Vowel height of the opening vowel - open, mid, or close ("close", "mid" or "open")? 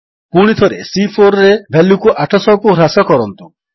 close